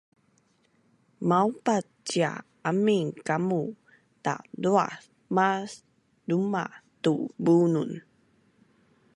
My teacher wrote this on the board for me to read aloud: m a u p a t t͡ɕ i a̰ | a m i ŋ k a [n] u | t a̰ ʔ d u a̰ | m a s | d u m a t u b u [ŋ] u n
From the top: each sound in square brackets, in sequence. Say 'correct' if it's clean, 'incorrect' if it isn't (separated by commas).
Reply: incorrect, incorrect